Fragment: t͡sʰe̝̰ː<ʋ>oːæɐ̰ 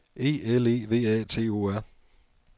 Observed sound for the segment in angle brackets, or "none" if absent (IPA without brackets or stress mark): none